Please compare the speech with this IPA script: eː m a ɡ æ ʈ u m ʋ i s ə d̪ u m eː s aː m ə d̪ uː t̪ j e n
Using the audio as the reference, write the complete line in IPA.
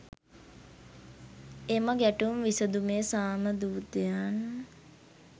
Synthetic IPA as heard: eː m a ɡ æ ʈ u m ʋ i s ə d̪ u m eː s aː m ə d̪ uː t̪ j a n